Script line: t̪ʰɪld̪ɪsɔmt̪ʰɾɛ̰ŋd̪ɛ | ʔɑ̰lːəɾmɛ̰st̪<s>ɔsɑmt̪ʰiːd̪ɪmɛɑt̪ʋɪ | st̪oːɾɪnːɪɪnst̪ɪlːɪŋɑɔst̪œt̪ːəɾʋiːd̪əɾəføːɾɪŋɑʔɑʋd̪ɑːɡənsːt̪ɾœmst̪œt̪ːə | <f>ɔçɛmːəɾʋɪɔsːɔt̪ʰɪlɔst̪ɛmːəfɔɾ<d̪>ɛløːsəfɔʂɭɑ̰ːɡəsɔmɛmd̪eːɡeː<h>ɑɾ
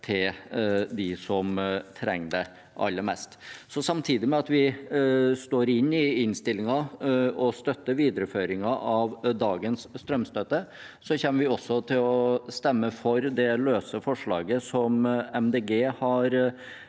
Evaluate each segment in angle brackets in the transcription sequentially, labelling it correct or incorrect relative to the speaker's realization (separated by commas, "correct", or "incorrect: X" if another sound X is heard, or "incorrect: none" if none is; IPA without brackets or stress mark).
correct, incorrect: s, correct, correct